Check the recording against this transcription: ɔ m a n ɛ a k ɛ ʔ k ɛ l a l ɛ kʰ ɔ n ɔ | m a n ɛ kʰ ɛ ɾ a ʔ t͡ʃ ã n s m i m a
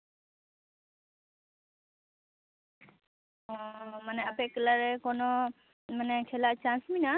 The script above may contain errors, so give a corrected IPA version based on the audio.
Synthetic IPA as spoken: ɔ m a n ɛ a p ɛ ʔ k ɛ l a ɾ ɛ k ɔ n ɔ | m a n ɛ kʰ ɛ l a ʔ t͡ʃ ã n s m i n a